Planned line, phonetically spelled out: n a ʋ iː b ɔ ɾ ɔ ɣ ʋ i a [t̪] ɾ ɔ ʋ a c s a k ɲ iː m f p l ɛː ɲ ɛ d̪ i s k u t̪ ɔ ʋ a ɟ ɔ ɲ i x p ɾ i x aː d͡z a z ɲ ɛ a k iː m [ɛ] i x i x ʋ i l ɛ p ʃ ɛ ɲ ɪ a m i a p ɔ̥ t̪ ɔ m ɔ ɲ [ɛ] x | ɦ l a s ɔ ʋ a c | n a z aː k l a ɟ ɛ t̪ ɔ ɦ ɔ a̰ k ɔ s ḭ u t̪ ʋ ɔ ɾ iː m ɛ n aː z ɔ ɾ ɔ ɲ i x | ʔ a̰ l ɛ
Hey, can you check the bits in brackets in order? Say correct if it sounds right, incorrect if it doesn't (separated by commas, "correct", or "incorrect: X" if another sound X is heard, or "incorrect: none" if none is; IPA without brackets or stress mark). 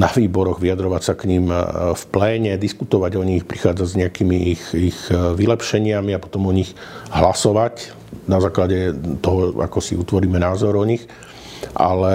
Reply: incorrect: d̪, incorrect: i, incorrect: i